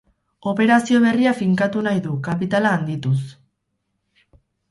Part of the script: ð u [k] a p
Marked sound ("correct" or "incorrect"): correct